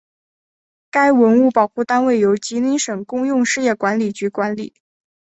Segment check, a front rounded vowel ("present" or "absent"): present